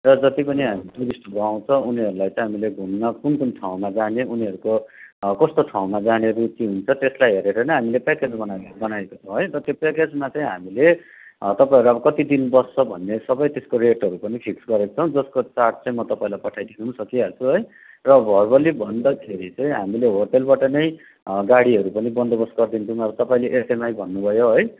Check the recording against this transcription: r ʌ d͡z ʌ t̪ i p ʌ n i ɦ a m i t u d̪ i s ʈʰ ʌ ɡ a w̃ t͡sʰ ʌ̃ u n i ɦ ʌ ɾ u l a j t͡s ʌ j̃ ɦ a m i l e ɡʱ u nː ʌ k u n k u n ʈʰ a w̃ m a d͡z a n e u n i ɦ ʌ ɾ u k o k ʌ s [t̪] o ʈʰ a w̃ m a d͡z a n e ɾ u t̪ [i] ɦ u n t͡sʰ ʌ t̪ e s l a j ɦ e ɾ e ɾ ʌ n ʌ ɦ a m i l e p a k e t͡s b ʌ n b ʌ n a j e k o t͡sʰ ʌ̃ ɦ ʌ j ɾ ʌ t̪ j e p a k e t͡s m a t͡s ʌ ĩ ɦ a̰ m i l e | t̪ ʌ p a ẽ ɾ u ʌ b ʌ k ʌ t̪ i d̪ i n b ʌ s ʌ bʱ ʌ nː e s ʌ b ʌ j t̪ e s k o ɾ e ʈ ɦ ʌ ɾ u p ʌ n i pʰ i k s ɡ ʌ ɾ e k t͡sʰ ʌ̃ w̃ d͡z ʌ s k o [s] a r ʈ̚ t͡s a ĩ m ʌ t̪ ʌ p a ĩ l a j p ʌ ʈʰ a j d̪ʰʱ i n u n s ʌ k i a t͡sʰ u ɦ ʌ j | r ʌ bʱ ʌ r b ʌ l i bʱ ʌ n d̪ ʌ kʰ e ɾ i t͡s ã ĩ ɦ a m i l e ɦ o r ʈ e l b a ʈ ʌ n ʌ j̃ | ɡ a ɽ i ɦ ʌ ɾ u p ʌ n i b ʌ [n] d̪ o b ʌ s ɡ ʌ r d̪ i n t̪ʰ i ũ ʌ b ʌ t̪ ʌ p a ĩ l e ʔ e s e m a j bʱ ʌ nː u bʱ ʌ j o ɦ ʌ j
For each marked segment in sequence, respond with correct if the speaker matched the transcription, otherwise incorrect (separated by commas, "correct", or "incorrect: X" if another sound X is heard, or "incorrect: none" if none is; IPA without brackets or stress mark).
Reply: correct, correct, incorrect: t͡s, correct